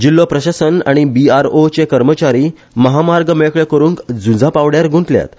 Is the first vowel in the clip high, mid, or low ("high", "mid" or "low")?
high